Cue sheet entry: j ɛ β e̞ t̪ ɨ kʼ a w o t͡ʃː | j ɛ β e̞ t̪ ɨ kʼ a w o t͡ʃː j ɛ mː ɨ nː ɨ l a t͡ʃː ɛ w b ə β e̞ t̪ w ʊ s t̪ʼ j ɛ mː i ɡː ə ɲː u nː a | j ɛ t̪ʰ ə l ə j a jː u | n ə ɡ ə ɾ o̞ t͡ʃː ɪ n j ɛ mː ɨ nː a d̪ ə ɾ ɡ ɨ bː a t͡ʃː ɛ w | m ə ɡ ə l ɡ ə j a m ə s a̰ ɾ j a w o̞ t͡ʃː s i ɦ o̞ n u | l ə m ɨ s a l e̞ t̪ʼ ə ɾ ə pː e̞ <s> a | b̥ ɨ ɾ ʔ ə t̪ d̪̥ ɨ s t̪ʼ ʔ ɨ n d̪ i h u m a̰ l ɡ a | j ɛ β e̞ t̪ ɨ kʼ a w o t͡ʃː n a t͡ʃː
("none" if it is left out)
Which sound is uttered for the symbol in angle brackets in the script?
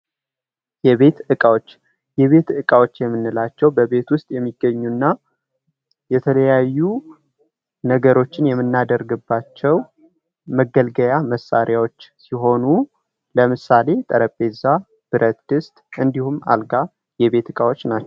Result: z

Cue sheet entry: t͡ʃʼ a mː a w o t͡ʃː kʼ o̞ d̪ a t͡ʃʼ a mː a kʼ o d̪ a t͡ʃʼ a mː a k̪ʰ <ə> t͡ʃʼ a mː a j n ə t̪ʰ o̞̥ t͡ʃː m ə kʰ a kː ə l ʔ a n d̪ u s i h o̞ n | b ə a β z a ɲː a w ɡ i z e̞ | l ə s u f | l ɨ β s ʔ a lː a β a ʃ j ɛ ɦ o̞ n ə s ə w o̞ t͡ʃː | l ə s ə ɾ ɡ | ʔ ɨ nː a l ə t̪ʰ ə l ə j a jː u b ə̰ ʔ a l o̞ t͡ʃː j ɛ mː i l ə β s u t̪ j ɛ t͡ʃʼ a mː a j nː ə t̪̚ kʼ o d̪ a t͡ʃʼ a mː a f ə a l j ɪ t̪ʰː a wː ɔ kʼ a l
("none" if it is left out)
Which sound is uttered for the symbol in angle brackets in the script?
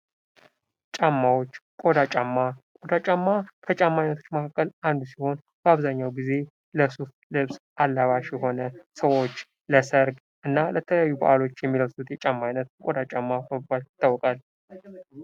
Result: ə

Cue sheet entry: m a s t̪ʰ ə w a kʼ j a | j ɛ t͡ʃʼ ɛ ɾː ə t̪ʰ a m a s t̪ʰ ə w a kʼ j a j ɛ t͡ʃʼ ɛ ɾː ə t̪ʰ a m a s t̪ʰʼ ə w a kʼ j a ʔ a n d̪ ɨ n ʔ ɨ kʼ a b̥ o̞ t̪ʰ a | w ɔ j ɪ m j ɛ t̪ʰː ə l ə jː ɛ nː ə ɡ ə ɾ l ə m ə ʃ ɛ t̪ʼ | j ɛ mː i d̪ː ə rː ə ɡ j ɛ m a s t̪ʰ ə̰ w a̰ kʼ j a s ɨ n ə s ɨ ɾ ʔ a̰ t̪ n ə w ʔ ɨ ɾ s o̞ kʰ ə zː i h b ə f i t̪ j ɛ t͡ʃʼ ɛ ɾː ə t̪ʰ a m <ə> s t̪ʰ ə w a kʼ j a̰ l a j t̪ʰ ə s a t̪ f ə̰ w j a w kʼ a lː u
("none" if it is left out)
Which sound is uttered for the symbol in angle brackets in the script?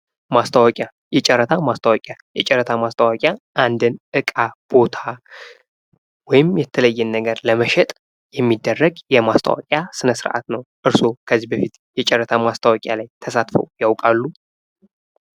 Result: a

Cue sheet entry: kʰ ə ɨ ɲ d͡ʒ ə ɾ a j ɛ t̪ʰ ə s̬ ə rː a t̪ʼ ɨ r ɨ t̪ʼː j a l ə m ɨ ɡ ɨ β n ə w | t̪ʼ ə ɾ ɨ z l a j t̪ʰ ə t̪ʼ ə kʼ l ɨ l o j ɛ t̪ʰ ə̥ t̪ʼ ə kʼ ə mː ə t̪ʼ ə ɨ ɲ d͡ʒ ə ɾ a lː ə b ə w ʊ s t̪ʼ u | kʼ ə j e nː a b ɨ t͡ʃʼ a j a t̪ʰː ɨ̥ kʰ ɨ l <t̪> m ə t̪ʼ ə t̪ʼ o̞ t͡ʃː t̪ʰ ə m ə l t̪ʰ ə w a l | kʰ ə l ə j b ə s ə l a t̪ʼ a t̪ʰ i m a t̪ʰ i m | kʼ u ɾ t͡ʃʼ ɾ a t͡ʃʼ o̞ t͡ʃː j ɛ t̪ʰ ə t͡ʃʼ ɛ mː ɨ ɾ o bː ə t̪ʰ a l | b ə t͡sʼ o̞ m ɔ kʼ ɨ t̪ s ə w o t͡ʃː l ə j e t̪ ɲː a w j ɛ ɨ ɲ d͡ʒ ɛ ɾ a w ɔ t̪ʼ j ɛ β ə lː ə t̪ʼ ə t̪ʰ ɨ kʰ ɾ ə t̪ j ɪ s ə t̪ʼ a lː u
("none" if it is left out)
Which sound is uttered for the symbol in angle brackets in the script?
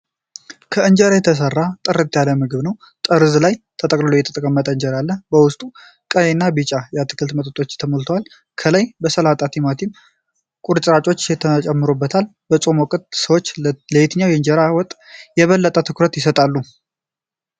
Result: t̪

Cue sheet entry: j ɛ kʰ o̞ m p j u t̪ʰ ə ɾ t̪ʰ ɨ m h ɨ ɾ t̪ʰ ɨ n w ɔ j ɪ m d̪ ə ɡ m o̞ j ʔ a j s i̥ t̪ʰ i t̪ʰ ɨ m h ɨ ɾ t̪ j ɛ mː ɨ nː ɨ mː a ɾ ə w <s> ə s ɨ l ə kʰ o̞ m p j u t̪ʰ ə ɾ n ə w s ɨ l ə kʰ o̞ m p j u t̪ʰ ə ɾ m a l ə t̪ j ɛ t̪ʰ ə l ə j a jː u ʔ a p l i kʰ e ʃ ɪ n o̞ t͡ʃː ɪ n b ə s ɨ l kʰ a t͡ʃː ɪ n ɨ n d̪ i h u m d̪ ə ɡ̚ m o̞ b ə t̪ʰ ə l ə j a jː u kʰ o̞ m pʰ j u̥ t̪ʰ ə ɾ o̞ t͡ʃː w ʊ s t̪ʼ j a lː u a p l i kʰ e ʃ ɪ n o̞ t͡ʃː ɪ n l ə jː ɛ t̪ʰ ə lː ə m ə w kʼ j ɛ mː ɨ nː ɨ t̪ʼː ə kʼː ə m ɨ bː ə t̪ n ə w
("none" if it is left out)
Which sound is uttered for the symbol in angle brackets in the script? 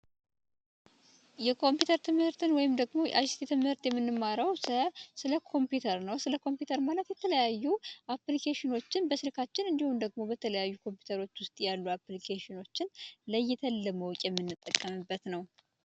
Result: s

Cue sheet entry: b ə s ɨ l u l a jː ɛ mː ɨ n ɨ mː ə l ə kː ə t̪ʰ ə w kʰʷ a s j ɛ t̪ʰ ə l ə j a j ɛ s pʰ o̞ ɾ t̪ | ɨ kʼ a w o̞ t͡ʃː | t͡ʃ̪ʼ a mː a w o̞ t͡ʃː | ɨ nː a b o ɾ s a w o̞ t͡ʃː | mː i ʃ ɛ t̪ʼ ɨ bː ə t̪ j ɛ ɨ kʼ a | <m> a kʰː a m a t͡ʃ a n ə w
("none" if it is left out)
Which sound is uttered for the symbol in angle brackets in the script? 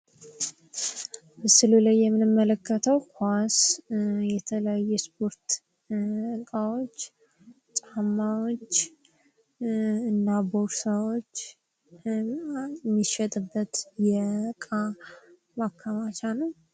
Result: m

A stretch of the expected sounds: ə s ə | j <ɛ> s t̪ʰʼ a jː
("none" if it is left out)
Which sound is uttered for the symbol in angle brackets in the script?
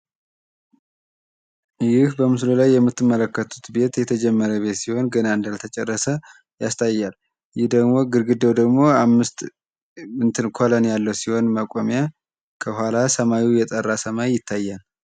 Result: a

